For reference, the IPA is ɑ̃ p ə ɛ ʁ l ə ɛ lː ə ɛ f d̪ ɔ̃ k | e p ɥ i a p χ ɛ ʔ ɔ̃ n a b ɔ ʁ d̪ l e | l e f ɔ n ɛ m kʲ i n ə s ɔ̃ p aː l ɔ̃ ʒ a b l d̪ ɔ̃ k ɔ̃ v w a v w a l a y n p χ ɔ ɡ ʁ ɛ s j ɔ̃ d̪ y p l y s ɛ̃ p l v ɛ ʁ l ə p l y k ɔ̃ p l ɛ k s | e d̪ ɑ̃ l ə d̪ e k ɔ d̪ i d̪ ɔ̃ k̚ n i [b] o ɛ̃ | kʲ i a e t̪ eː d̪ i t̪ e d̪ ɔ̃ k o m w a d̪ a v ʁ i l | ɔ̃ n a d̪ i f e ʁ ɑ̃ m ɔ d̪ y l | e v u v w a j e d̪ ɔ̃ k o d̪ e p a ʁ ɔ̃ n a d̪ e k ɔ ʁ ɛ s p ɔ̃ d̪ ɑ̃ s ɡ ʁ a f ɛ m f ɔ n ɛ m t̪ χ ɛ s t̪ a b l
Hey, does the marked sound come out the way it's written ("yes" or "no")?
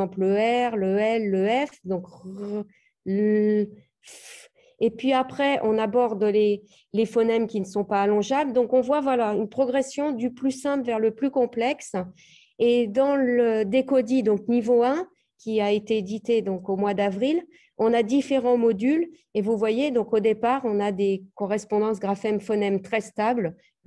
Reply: no